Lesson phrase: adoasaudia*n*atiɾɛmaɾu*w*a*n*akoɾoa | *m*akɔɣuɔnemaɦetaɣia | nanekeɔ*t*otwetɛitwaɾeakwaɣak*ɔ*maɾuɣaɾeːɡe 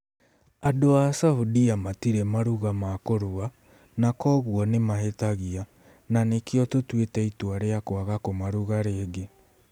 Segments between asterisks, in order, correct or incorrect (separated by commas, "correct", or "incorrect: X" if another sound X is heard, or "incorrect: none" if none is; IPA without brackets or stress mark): incorrect: m, incorrect: ɣ, incorrect: m, incorrect: n, correct, incorrect: o